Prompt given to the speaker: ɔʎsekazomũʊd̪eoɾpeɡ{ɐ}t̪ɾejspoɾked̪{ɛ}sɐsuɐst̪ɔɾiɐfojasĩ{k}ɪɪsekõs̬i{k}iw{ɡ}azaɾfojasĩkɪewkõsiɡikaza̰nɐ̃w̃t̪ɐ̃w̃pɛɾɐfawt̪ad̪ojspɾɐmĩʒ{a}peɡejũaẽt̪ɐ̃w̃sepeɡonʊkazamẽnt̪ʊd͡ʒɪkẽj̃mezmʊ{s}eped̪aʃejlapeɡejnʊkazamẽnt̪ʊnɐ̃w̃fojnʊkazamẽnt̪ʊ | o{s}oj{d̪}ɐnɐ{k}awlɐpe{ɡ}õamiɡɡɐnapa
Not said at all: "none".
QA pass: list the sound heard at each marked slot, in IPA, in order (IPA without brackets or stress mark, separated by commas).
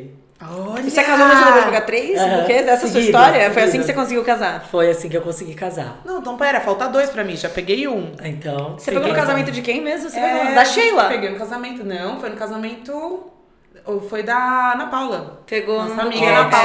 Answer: a, ɛ, k, ɡ, k, a, s, f, d̪, p, ɡ